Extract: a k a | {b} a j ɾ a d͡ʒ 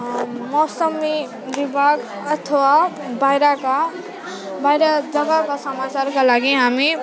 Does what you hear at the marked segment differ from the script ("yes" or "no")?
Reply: no